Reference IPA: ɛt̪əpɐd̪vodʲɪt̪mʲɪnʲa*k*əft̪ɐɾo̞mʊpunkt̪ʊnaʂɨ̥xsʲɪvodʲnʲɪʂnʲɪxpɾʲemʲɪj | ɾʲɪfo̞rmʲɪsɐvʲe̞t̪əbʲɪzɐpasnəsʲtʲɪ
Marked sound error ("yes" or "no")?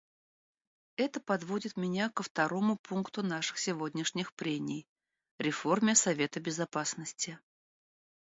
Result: no